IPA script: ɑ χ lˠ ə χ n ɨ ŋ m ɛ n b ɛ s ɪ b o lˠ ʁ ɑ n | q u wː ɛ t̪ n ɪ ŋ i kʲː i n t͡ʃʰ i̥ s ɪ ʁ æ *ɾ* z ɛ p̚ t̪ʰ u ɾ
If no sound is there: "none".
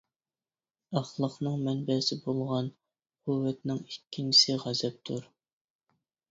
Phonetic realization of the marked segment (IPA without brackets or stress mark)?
none